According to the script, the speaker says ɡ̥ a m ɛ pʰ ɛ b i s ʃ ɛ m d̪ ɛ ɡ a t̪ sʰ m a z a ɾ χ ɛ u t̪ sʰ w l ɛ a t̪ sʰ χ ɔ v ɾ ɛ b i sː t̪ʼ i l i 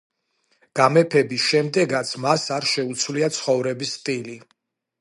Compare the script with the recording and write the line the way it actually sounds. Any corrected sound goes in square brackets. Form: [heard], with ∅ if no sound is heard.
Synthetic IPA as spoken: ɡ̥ a m ɛ pʰ ɛ b i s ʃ ɛ m d̪ ɛ ɡ a t̪ sʰ m a [s] a ɾ [ʃ] ɛ u t̪ sʰ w l [i] a t̪ sʰ χ ɔ v ɾ ɛ b i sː t̪ʼ i l i